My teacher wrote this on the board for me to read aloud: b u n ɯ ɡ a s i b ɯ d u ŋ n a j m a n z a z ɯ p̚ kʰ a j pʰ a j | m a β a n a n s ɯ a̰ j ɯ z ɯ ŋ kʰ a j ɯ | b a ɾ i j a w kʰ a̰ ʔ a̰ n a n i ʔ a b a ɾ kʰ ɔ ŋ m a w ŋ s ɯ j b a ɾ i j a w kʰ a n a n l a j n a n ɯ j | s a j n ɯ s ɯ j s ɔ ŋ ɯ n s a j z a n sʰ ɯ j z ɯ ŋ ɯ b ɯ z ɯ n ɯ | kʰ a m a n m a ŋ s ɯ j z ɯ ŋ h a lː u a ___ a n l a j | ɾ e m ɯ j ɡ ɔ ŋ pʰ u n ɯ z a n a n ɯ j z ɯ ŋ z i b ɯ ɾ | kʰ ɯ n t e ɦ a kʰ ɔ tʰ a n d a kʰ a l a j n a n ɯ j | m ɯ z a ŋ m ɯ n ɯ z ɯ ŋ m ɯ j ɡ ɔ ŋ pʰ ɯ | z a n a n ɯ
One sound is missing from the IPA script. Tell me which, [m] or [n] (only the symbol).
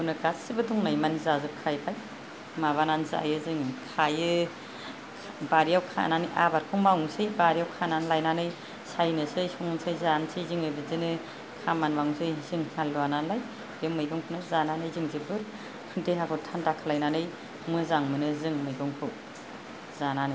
n